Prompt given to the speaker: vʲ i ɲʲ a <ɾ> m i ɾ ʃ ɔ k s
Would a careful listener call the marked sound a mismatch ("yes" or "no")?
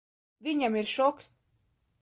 yes